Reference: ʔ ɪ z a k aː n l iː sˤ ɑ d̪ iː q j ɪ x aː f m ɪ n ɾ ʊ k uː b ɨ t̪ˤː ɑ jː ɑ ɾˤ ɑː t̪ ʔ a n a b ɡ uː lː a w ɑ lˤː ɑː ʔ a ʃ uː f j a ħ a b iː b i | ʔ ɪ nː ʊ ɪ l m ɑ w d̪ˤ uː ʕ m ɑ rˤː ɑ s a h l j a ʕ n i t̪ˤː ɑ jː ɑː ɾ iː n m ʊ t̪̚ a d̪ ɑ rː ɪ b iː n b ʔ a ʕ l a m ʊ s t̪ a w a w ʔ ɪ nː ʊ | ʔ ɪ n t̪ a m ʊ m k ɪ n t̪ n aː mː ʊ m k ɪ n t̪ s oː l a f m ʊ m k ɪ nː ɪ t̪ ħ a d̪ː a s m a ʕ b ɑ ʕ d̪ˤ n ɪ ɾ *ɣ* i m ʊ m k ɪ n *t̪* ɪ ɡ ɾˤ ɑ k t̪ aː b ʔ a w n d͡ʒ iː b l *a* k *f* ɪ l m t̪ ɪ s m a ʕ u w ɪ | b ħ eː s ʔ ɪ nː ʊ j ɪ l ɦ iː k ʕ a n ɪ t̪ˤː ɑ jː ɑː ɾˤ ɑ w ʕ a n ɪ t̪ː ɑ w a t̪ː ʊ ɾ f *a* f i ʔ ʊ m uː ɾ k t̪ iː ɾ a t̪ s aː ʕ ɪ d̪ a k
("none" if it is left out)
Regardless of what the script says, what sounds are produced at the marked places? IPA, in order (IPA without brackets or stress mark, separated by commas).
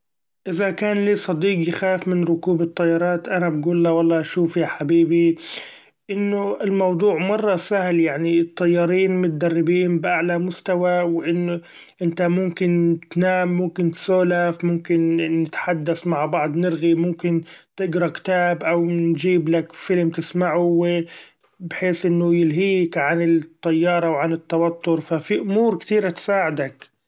ɣ, t̪, a, f, a